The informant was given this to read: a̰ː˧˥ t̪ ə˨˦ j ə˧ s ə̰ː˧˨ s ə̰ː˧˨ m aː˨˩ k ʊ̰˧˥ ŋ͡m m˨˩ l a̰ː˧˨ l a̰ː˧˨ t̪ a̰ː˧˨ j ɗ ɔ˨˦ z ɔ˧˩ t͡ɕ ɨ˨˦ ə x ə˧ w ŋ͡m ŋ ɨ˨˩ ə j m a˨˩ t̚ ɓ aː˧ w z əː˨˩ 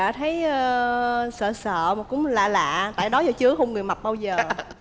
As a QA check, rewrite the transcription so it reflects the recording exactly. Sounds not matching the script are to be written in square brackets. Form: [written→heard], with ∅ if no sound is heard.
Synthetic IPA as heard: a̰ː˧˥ [t̪→t̪ʰ] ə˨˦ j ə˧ s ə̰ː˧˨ s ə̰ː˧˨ m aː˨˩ k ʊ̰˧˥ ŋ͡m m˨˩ l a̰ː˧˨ l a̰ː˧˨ t̪ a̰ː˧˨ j ɗ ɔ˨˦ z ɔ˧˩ t͡ɕ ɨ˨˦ ə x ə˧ w ŋ͡m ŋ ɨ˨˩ ə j m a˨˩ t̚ ɓ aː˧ w z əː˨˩